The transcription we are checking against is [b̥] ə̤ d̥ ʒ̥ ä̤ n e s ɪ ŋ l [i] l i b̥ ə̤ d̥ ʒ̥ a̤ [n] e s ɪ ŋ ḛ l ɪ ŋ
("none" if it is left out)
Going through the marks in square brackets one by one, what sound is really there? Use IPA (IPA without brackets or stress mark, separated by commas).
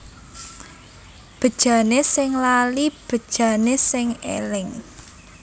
b̥, a, n